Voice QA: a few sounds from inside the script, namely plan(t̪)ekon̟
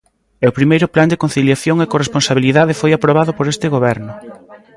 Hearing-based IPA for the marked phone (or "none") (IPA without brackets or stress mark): d̪